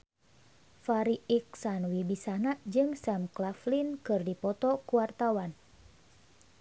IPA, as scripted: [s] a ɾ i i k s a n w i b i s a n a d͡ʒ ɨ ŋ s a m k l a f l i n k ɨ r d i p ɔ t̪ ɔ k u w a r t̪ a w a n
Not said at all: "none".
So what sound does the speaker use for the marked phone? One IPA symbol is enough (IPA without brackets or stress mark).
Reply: f